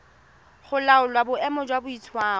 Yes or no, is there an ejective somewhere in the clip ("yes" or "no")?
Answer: no